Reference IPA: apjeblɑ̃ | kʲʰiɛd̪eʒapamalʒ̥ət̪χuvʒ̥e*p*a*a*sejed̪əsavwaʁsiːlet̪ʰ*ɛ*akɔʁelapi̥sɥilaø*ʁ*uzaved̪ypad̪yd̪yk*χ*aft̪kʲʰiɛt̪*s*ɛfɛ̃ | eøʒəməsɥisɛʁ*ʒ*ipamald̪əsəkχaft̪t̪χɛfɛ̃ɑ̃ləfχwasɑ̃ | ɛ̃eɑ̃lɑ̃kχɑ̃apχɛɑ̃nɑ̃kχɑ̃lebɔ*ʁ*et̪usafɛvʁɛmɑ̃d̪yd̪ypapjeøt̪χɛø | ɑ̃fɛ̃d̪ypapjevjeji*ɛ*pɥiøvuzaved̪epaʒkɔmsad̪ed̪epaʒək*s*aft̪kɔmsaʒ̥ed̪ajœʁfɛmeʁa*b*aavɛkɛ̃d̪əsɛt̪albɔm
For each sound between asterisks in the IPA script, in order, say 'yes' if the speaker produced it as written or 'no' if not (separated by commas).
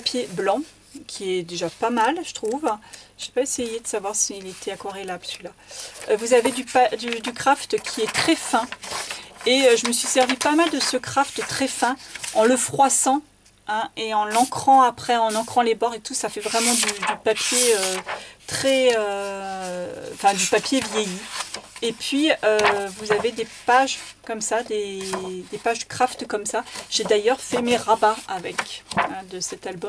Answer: yes, no, yes, no, yes, no, no, yes, no, no, yes